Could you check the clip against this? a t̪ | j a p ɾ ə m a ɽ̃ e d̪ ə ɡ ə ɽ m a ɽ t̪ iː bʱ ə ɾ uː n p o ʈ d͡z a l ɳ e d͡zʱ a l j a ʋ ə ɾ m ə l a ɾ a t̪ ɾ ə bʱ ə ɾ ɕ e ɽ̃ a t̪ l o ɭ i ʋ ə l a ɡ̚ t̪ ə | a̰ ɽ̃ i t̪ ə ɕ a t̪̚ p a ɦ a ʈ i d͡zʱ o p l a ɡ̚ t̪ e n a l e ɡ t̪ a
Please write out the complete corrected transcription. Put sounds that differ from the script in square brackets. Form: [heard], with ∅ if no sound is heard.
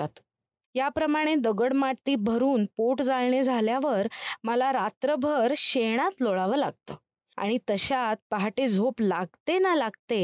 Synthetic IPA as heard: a t̪ | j a p ɾ ə m a ɽ̃ e d̪ ə ɡ ə ɽ m a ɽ t̪ iː bʱ ə ɾ uː n p o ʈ d͡z a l ɳ e d͡zʱ a l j a ʋ ə ɾ m ə l a ɾ a t̪ ɾ ə bʱ ə ɾ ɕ e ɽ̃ a t̪ l o ɭ [a] ʋ ə l a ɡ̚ t̪ ə | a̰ ɽ̃ i t̪ ə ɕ a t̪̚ p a ɦ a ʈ [e] d͡zʱ o p l a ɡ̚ t̪ e n a l [a] ɡ t̪ [e]